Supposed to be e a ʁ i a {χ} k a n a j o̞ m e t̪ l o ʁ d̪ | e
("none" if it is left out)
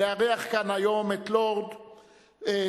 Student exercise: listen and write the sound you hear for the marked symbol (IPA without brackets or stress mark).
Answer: χ